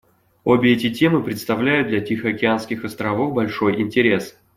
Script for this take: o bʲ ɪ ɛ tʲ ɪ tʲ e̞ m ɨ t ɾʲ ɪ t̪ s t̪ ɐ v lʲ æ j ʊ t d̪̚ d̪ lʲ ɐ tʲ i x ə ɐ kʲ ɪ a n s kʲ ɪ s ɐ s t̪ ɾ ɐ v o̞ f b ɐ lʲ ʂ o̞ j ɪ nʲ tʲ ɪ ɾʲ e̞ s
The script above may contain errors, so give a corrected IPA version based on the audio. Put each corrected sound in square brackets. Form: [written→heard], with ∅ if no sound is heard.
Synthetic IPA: o bʲ ɪ ɛ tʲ ɪ tʲ e̞ m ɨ [t→p] ɾʲ ɪ t̪ s t̪ ɐ v lʲ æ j ʊ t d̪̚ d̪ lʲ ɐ tʲ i x ə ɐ kʲ ɪ a n s kʲ ɪ [s→x] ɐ s t̪ ɾ ɐ v o̞ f b ɐ lʲ ʂ o̞ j ɪ nʲ tʲ ɪ ɾʲ e̞ s